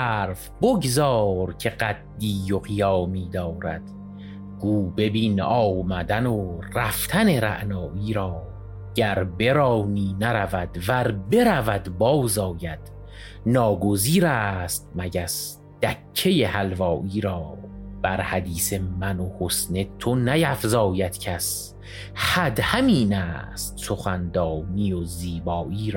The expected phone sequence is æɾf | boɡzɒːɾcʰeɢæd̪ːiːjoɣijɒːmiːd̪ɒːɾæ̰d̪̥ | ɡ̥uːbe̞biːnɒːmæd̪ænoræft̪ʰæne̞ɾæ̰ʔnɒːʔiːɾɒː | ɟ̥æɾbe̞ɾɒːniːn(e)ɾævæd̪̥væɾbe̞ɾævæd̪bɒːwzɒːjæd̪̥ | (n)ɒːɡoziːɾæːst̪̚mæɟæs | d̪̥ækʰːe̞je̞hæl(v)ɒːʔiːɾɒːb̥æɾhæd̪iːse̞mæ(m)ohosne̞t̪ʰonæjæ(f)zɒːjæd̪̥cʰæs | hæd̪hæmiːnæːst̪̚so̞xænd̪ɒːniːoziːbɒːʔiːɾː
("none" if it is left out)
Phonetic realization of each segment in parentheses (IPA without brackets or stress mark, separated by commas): æ, n, v, n, f